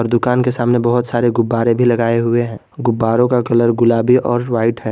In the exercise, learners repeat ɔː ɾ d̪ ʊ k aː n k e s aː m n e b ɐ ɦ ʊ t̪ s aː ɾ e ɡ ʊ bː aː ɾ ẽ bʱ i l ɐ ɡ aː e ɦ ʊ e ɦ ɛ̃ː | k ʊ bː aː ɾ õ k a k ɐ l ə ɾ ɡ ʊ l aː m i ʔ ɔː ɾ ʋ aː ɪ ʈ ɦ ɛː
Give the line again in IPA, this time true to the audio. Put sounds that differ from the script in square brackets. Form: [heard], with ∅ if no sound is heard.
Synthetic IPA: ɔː ɾ d̪ ʊ k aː n k e s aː m n e b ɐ ɦ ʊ t̪ s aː ɾ e ɡ ʊ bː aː ɾ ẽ bʱ i l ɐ ɡ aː e ɦ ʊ e ɦ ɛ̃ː | [ɡ] ʊ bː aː ɾ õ k a k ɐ l ə ɾ ɡ ʊ l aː [b] i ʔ ɔː ɾ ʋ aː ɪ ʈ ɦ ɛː